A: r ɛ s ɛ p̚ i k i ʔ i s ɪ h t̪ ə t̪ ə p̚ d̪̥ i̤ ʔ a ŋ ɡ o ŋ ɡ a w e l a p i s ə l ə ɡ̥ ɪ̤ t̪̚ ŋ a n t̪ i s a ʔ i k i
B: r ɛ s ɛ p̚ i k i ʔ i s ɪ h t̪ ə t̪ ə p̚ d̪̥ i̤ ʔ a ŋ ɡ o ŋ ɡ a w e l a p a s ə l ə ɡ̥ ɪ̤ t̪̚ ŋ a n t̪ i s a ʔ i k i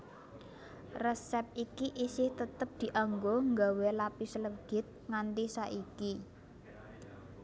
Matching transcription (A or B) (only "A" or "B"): A